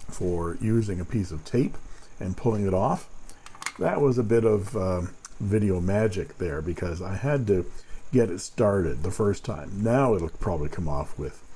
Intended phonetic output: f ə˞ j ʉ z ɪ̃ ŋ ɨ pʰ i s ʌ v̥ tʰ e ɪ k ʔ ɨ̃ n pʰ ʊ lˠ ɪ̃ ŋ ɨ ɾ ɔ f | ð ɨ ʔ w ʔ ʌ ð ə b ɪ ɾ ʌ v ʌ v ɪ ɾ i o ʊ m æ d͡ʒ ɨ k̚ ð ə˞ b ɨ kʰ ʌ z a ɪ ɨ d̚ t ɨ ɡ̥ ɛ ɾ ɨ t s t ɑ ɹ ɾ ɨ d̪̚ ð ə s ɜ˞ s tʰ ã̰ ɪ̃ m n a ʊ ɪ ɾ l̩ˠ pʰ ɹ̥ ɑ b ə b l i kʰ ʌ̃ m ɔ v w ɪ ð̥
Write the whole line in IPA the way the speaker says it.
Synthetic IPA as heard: f ə˞ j ʉ z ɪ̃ ŋ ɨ pʰ i s ʌ v̥ tʰ e ɪ p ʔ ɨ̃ n pʰ ʊ lˠ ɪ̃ ŋ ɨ ɾ ɔ f | ð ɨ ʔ w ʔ ʌ z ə b ɪ ɾ ʌ v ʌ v ɪ ɾ i o ʊ m æ d͡ʒ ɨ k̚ ð ə˞ b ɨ kʰ ʌ z a ɪ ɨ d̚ t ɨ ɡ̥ ɛ ɾ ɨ t s t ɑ ɹ ɾ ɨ d̪̚ ð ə f ɜ˞ s tʰ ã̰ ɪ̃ m n a ʊ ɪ ɾ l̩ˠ pʰ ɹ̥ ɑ b ə b l i kʰ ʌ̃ m ɔ f w ɪ ð̥